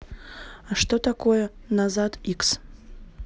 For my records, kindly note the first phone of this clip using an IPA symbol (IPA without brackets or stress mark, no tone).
a